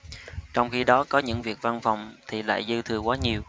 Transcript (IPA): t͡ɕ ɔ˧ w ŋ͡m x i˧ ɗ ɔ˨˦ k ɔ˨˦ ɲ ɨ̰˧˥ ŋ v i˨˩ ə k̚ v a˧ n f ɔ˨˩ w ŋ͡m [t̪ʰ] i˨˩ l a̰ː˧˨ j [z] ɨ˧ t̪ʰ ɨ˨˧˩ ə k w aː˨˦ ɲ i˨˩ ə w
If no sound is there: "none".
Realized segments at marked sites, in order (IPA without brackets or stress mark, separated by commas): t̪ʰ, z